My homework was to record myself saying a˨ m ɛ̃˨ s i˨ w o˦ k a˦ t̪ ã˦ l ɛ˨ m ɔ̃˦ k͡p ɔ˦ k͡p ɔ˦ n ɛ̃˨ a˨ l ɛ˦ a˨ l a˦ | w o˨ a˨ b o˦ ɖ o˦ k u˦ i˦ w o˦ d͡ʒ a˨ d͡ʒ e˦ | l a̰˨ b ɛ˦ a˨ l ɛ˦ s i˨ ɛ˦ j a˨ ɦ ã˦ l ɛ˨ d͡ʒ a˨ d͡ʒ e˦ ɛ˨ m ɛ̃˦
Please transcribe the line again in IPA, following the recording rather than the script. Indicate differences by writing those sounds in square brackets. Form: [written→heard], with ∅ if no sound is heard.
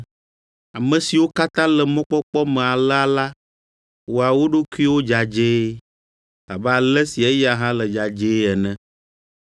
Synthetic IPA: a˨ m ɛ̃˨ s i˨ w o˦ k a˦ t̪ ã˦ l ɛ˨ m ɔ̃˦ k͡p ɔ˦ k͡p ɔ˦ [n→m] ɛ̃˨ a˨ l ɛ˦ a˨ l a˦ | w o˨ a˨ [b→w] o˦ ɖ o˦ k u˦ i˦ w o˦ d͡ʒ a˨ d͡ʒ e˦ | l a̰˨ b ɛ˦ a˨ l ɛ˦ s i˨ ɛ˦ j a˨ ɦ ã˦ l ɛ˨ d͡ʒ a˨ d͡ʒ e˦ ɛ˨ [m→n] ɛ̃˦